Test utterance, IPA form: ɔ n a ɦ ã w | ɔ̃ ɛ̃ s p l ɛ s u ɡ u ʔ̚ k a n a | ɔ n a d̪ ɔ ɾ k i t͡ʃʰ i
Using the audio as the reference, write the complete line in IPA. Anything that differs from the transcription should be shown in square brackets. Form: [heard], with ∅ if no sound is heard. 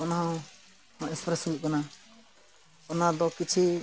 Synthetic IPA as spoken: ɔ n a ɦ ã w | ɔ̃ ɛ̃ s p [ɾ] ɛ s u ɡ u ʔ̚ k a n a | ɔ n a d̪ ɔ [∅] k i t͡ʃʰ i